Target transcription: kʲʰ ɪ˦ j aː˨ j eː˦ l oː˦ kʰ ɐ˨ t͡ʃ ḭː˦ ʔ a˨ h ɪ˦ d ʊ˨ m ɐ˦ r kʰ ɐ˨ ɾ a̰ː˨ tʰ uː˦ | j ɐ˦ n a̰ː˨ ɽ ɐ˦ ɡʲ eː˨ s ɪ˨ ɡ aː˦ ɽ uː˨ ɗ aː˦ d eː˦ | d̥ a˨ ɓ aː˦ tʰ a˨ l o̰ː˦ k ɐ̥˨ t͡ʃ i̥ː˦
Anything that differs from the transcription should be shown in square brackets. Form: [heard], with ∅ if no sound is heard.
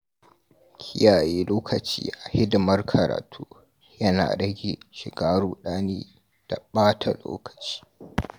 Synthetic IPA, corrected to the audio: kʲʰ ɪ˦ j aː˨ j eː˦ l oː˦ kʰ ɐ˨ t͡ʃ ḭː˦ ʔ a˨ h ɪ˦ d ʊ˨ m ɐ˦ r kʰ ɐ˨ ɾ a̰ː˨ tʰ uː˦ | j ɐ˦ n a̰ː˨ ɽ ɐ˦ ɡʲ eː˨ [ʃ] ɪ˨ ɡ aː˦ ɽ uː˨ ɗ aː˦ [n] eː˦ | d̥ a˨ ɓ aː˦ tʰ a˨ l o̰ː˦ k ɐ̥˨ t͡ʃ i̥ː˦

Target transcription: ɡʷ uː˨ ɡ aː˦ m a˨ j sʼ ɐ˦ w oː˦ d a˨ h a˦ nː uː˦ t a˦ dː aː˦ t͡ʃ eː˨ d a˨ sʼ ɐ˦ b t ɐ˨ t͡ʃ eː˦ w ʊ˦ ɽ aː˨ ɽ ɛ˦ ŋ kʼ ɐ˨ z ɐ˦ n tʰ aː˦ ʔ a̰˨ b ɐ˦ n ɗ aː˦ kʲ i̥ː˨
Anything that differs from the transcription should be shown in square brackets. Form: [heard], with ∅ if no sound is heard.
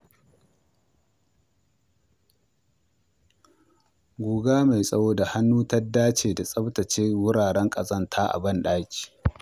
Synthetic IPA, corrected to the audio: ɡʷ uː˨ ɡ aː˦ m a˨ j sʼ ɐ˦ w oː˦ d a˨ h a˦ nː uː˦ t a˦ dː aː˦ t͡ʃ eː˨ d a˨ sʼ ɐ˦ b t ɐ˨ t͡ʃ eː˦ w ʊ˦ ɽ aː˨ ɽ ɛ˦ ŋ kʼ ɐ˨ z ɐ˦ n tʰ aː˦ ʔ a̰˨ b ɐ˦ n ɗ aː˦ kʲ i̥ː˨

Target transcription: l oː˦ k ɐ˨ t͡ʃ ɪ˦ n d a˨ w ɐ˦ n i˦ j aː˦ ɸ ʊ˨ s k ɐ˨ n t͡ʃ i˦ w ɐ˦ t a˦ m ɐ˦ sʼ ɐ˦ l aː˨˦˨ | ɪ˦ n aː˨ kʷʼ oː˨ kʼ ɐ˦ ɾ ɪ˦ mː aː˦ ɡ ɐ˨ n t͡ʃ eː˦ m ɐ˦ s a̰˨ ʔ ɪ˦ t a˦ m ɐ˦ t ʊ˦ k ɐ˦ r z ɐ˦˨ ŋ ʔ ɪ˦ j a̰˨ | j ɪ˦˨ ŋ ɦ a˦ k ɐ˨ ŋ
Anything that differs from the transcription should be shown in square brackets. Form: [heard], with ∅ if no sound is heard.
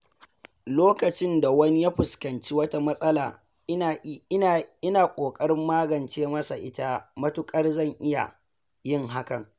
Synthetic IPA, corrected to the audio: l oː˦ k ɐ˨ t͡ʃ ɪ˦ n d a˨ w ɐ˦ n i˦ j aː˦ ɸ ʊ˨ s k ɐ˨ n t͡ʃ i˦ w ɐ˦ t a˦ m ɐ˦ sʼ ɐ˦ l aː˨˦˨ | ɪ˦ n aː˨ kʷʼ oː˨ kʼ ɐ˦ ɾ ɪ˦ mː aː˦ ɡ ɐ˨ n t͡ʃ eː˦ m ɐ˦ s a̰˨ ʔ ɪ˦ t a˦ m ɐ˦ t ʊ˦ [kʼ] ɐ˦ r z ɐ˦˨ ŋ ʔ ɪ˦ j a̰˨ | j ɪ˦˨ ŋ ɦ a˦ k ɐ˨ ŋ

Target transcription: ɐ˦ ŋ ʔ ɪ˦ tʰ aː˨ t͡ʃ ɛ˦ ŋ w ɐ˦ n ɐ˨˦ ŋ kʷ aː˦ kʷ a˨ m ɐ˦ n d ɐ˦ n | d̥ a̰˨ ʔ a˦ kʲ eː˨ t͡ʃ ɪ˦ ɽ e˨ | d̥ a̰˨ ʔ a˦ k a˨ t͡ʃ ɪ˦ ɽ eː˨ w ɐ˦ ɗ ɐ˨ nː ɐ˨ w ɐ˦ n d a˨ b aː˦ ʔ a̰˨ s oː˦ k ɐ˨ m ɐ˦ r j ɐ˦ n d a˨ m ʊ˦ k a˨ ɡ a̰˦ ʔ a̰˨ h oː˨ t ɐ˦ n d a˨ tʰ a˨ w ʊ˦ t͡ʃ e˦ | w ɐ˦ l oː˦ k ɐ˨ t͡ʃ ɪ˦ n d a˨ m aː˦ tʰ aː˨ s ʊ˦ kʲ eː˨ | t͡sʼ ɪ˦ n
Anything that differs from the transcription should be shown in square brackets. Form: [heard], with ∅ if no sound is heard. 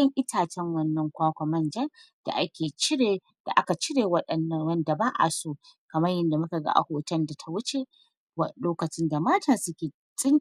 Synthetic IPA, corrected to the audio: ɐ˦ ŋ ʔ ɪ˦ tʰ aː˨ t͡ʃ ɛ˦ ŋ w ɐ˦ [nː] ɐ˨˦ ŋ kʷ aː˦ kʷ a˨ m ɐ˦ n [d͡ʒ] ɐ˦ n | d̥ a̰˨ ʔ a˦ kʲ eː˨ t͡ʃ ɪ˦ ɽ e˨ | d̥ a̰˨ ʔ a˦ k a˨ t͡ʃ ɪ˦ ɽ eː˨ w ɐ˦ ɗ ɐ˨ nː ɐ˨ w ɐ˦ n d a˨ b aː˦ ʔ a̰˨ s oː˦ k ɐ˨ m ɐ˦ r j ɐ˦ n d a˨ m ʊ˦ k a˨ ɡ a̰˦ ʔ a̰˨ h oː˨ t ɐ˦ n d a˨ tʰ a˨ w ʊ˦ t͡ʃ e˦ | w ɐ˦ l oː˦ k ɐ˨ t͡ʃ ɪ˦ n d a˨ m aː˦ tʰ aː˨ s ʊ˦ kʲ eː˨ | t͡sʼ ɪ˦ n

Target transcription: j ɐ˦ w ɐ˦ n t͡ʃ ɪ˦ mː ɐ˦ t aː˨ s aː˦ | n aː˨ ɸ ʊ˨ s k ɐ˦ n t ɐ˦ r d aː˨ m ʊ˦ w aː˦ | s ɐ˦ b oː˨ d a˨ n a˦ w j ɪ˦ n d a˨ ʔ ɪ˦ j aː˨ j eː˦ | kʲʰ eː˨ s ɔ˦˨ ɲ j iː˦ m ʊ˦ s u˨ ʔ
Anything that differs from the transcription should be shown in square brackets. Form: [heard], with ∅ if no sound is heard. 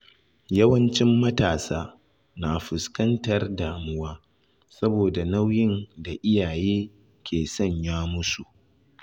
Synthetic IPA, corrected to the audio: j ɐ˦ w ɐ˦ n t͡ʃ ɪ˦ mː ɐ˦ t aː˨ s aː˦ | n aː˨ ɸ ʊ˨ s k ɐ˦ n t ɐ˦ r d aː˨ m ʊ˦ w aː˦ | s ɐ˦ b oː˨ d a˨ n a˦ w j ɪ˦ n d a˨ ʔ ɪ˦ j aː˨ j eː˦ | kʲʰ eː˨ s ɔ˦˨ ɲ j [aː˦] m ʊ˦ s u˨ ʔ

